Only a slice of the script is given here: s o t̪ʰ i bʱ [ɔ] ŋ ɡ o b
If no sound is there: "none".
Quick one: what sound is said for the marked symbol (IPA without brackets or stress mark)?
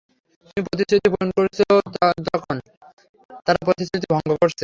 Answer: ɔ